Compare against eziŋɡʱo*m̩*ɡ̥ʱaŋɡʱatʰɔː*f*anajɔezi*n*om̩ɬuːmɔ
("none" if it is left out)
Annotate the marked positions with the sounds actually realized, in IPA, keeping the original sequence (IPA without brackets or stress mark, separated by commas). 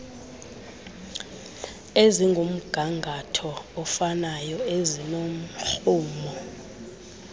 m̩, f, n